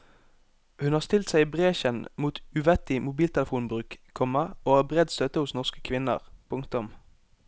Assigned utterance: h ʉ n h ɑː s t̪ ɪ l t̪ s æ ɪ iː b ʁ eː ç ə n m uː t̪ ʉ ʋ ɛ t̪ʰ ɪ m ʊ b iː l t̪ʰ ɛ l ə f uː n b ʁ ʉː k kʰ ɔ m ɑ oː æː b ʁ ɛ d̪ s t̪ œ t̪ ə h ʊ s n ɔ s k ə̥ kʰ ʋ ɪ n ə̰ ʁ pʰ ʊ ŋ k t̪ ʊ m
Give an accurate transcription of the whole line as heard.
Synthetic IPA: h ʉ n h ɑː s t̪ ɪ l t̪ s æ ɪ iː b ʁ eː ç ə n m uː t̪ ʉ ʋ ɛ t̪ ɪ m ʊ b iː l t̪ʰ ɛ l ə f uː n b ʁ ʉː k kʰ ɔ m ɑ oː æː b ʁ ɛ d̪ s t̪ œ t̪ ə h ʊ s n ɔ s k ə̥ kʰ ʋ ɪ n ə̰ ʁ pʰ ʊ ŋ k t̪ ʊ m